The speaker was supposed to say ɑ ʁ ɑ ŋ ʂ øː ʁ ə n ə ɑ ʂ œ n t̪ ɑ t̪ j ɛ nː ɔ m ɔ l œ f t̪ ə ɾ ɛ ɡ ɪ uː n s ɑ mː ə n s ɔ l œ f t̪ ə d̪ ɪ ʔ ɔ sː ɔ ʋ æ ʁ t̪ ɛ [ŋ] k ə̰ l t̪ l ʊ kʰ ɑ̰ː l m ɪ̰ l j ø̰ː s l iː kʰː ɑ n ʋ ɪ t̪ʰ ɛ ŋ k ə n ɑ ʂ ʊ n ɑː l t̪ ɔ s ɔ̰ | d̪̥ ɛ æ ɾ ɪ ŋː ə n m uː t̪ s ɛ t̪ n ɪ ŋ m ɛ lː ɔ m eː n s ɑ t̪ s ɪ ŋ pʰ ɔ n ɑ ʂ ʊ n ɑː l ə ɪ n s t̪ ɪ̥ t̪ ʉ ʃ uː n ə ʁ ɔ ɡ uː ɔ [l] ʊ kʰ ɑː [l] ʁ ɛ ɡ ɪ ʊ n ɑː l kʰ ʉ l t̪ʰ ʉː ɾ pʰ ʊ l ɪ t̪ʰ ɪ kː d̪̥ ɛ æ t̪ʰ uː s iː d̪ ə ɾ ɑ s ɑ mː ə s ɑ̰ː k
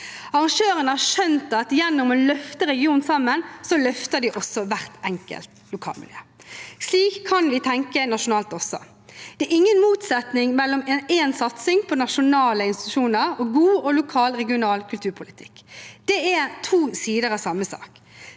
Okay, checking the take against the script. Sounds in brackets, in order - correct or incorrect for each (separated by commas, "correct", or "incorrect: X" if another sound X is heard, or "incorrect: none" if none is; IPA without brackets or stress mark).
correct, correct, correct